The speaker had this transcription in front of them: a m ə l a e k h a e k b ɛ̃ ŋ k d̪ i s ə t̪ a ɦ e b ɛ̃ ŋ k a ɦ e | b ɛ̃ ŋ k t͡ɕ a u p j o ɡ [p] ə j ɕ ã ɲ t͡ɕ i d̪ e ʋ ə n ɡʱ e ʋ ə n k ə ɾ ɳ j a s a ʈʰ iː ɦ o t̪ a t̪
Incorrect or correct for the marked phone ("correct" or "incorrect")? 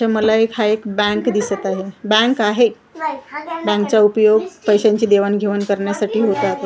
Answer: correct